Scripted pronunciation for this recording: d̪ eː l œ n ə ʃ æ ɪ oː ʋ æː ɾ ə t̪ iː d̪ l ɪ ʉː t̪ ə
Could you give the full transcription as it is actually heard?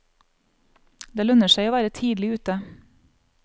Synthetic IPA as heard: d̪ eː l œ n ə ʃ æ ɪ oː ʋ æː ɾ ə t̪ʰ iː d̪ l ɪ ʉː t̪ ə